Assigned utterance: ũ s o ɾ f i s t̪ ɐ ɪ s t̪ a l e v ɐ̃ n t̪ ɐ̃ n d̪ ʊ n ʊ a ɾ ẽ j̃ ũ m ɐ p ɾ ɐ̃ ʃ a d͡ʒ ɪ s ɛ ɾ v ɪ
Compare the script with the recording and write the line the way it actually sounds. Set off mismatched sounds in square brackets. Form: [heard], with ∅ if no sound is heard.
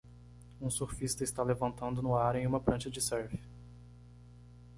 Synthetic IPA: ũ s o ɾ f i s t̪ ɐ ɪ s t̪ a l e v ɐ̃ n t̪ ɐ̃ n d̪ ʊ n ʊ a ɾ ẽ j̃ ũ m ɐ p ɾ ɐ̃ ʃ [ɐ] d͡ʒ ɪ s ɛ ɾ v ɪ